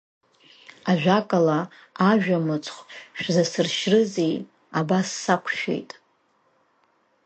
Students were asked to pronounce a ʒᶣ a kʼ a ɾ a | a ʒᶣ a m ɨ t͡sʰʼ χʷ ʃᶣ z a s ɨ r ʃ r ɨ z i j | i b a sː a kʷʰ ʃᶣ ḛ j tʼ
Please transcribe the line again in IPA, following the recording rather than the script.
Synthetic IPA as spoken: a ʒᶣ a kʼ a l a | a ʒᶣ a m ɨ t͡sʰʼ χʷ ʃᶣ z a s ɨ r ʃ r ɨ z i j | a b a sː a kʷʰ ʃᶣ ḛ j tʼ

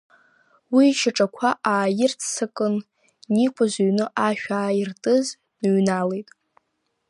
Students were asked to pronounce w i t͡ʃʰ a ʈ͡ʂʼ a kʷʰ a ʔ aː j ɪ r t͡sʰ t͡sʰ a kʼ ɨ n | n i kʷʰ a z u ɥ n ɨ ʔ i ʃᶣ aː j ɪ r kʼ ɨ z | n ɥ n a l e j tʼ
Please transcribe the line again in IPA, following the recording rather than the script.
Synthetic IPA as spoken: w i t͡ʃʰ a ʈ͡ʂʼ a kʷʰ a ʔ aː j ɪ r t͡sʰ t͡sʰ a kʼ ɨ n | n i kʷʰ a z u ɥ n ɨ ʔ a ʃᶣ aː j ɪ r tʼ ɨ z | n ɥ n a l e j tʼ

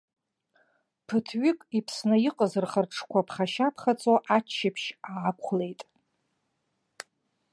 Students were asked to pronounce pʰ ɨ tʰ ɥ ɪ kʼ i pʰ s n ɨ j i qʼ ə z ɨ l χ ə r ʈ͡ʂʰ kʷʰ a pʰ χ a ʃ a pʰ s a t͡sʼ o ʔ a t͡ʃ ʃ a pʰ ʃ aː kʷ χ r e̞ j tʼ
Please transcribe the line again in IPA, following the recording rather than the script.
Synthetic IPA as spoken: pʰ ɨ tʰ ɥ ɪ kʼ i pʰ s n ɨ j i qʼ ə z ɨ r χ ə r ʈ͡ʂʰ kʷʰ a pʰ χ a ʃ a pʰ χ a t͡sʼ o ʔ a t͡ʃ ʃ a pʰ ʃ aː kʷ χ l e̞ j tʼ

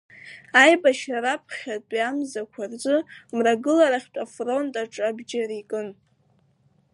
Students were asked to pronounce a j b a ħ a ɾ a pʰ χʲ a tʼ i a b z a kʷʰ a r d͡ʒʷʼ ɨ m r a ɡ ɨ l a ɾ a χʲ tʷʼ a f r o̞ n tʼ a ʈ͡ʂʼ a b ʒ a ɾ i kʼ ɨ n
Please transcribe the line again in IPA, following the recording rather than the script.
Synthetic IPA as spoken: a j b a ʃ a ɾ a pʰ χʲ a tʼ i a m z a kʷʰ a r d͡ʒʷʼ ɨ m r a ɡ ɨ l a ɾ a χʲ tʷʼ a f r o̞ n tʼ a ʈ͡ʂʼ a b d͡ʒ a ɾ i kʼ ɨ n

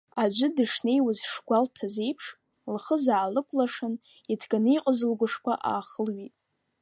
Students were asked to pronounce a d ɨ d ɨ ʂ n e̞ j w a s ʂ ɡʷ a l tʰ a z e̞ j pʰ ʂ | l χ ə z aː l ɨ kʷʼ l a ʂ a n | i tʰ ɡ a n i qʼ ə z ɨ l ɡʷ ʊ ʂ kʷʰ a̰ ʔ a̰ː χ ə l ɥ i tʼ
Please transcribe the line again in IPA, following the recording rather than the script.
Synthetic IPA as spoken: a d͡ʒʷ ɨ d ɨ ʂ n e̞ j w a z ʂ ɡʷ a l tʰ a z e̞ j pʰ ʂ | l χ ə z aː l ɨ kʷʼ l a ʂ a n | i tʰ ɡ a n i qʼ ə z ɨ l ɡʷ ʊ ʂ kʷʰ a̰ ʔ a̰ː χ ə l ɥ i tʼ

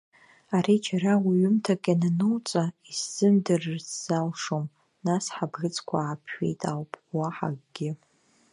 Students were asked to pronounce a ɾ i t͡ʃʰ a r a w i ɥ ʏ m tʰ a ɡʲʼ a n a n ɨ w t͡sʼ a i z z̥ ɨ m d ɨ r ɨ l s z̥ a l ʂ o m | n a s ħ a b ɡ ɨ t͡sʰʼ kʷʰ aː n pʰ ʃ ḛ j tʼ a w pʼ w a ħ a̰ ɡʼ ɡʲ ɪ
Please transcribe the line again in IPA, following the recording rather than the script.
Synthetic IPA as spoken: a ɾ i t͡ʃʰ a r a w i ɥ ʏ m tʰ a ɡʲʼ a n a n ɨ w t͡sʼ a i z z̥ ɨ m d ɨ r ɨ r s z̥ a l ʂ o m | n a s ħ a b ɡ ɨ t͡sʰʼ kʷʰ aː pʰ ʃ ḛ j tʼ a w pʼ w a ħ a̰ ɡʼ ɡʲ ɪ

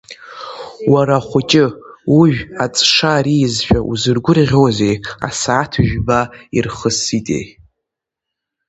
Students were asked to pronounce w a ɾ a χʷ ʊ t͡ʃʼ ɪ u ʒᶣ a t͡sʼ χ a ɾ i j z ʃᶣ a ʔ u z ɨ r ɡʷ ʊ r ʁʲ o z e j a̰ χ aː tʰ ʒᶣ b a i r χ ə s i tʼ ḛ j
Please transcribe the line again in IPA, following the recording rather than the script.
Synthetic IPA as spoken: w a ɾ a χʷ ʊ t͡ʃʼ ɪ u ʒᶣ a t͡sʼ ʂ a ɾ i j z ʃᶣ a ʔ u z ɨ r ɡʷ ʊ r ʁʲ o z e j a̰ s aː tʰ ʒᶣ b a i r χ ə s i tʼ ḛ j

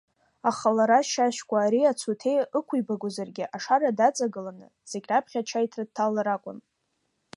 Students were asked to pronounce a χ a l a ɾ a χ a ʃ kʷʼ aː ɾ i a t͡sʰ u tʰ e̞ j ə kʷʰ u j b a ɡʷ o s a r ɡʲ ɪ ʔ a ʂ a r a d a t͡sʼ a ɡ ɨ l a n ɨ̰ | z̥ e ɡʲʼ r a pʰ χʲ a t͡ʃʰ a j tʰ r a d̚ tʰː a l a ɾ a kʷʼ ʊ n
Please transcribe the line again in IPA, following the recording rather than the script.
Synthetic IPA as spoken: a χ a l a ɾ a ʃ a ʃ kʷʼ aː ɾ i a t͡sʰ u tʰ e̞ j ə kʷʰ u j b a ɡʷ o z a r ɡʲ ɪ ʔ a ʂ a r a d a t͡sʼ a ɡ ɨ l a n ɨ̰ | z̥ e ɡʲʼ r a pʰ χʲ a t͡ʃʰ a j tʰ r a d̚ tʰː a l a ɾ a kʷʼ ʊ n

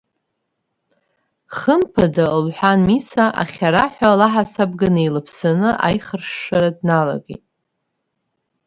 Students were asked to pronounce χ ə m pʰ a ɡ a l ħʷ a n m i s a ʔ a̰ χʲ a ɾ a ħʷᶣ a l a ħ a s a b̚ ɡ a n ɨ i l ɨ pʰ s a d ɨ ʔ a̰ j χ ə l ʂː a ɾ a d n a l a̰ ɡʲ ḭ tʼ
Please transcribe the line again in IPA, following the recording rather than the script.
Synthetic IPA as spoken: χ ə m pʰ a d a l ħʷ a n m i s a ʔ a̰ χʲ a ɾ a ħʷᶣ a l a ħ a s a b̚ ɡ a n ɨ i l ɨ pʰ s a n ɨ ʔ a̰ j χ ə r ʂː a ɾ a d n a l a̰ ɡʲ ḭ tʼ

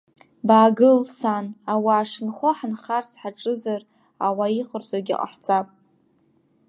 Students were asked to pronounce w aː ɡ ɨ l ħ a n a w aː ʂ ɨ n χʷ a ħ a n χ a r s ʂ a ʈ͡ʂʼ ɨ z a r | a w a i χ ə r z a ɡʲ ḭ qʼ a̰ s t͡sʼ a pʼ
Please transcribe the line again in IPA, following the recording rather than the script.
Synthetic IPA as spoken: b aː ɡ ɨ l s a n a w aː ʂ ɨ n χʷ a ħ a n χ a r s ħ a ʈ͡ʂʼ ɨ z a r | a w a i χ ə r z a ɡʲ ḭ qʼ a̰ ħ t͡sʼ a pʼ

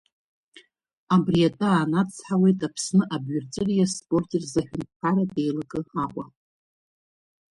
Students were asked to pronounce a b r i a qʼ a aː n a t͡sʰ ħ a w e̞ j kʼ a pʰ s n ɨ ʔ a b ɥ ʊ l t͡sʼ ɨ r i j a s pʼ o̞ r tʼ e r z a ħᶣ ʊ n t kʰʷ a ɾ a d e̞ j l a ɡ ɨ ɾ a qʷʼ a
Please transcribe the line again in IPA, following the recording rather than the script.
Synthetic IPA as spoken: a b r i a tʼ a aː n a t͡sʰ ħ a w e̞ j tʼ a pʰ s n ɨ ʔ a b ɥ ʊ r t͡sʼ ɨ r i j a s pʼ o̞ r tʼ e r z a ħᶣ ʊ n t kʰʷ a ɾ a d e̞ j l a ɡ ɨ a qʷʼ a

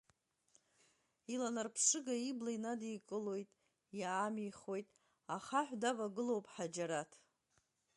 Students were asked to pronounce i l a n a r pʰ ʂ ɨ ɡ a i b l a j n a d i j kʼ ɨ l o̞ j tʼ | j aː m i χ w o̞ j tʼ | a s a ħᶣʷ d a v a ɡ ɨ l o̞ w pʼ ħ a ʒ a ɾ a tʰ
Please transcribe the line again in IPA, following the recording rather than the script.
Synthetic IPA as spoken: i l a n a r pʰ ʂ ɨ ɡ a i b l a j n a d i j kʼ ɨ l o̞ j tʼ | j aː m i χ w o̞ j tʼ | a χ a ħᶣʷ d a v a ɡ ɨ l o̞ w pʼ ħ a d͡ʒ a ɾ a tʰ

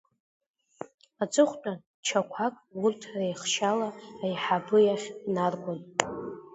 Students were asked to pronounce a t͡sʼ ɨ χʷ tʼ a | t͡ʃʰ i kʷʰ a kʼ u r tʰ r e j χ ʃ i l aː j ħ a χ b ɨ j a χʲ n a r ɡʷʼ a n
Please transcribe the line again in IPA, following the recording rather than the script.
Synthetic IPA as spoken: a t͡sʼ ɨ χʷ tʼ a | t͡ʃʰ a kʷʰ a kʼ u r tʰ r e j χ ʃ a l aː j ħ a b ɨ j a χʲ n a r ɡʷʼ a n

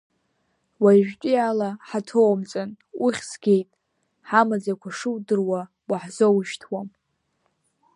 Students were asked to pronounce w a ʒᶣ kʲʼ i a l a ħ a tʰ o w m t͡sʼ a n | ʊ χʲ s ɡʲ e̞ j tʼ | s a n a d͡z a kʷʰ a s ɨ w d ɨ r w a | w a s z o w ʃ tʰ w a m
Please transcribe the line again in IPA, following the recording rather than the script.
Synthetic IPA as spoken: w a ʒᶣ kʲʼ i a l a ħ a tʰ o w m t͡sʼ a n | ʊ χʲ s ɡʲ e̞ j tʼ | ħ a m a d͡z a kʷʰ a ʂ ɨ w d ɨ r w a | w a ħ z o w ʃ tʰ w a m

